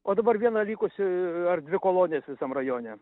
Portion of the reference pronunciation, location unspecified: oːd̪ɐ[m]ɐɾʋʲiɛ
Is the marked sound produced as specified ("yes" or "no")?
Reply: no